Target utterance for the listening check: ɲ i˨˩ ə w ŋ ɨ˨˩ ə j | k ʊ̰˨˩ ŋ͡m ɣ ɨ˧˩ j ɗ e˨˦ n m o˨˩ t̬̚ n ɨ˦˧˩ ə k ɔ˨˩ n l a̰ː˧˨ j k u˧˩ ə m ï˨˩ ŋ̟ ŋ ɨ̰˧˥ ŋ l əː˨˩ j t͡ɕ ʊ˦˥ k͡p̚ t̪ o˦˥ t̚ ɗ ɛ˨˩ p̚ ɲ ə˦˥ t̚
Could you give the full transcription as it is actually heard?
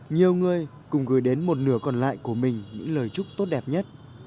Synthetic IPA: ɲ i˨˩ ə w ŋ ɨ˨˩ ə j | k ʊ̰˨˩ ŋ͡m ɣ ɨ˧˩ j ɗ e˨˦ n m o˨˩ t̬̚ n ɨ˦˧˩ ə k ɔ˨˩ n l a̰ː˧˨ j k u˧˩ ə m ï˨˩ ŋ̟ ɲ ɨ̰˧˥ ŋ l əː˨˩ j t͡ɕ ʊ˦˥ k͡p̚ t̪ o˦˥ t̚ ɗ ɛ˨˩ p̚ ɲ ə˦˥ t̚